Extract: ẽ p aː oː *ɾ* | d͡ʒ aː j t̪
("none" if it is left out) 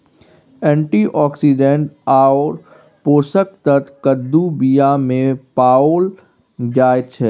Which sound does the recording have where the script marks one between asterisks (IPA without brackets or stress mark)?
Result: l